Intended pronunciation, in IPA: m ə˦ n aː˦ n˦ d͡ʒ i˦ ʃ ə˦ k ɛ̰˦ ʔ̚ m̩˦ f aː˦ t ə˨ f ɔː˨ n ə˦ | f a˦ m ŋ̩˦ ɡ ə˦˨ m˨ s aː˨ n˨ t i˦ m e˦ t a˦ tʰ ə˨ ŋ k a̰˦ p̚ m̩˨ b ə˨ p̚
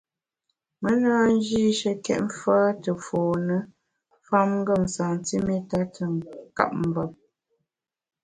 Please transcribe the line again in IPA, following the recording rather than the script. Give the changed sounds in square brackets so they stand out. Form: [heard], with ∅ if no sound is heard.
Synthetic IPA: m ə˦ n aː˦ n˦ d͡ʒ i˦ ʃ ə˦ k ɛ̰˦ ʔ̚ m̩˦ f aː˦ t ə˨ f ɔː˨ n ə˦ | f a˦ m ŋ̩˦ ɡ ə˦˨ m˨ s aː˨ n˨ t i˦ m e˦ t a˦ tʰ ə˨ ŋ k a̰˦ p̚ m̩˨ b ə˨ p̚